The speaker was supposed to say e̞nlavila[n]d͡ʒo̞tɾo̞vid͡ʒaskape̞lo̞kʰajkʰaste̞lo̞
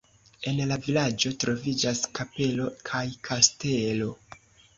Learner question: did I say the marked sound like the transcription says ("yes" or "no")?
no